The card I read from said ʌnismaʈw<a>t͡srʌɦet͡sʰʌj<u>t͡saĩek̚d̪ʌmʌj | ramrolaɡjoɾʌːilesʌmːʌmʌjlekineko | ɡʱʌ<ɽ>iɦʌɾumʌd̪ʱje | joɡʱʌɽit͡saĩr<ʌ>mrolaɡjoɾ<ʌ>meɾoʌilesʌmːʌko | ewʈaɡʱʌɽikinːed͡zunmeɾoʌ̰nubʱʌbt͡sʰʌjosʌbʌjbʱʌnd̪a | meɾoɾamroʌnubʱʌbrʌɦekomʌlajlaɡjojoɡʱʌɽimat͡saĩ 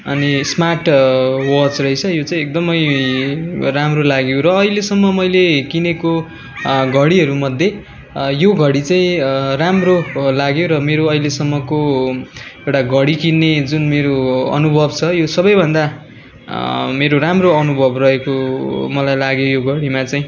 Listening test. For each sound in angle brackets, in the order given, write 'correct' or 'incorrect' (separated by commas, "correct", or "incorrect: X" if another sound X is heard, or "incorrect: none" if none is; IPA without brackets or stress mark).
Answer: incorrect: ʌ, incorrect: o, correct, incorrect: a, correct